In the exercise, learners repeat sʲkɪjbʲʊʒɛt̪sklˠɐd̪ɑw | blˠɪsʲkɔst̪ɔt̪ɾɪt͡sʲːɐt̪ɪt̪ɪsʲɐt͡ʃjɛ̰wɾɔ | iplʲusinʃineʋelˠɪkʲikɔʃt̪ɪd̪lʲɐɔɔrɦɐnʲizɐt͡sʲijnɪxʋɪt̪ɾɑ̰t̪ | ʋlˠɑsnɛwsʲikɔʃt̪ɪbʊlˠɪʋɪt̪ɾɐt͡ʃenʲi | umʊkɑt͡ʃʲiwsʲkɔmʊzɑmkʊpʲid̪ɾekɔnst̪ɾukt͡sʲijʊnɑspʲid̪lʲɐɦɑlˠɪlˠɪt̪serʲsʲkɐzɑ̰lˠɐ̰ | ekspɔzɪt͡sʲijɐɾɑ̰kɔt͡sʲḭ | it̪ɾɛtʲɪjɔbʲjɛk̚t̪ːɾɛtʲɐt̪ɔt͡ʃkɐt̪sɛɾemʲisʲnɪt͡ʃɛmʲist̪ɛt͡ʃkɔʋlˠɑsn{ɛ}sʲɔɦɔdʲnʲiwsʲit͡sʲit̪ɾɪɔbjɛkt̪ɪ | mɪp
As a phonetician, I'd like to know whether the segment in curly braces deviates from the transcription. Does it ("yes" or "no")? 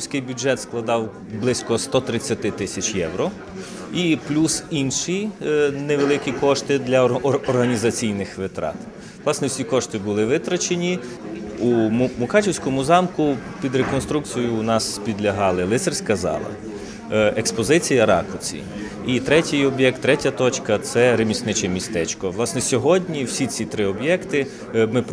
no